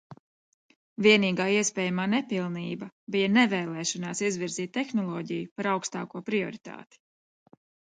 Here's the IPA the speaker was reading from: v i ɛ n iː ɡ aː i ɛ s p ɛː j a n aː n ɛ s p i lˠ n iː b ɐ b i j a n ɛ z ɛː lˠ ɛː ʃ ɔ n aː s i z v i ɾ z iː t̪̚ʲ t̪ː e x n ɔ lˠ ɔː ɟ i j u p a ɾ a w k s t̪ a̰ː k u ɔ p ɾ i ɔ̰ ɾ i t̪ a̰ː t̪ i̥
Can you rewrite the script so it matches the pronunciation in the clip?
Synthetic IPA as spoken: v i ɛ n iː ɡ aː i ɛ s p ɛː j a m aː n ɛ p i lˠ n iː b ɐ b i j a n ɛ v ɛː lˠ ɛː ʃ ɔ n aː s i z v i ɾ z iː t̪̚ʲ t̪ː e x n ɔ lˠ ɔː ɟ i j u p a ɾ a w k s t̪ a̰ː k u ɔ p ɾ i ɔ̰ ɾ i t̪ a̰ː t̪ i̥